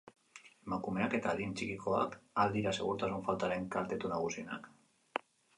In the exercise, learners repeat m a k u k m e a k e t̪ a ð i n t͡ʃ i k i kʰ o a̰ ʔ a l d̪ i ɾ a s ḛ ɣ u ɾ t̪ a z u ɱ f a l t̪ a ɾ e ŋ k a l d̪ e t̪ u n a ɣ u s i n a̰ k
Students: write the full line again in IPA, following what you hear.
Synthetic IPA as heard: m a k u m e a k e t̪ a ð i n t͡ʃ i k i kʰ o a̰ k a l d̪ i ɾ a s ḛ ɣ u ɾ t̪ a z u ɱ f a l t̪ a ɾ e ŋ k a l t̪ e t̪ u n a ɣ u s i n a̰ k